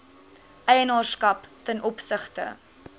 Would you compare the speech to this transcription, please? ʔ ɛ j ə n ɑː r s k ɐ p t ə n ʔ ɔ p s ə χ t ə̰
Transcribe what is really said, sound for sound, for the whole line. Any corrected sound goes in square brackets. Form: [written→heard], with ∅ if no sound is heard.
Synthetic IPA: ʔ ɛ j ə n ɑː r s k ɐ p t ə n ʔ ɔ p s ə χ t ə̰